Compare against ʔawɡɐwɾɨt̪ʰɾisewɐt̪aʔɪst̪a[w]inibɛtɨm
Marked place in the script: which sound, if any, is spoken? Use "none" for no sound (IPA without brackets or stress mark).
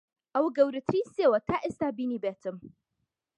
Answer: b